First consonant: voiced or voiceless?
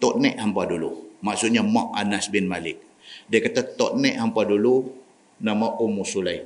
voiceless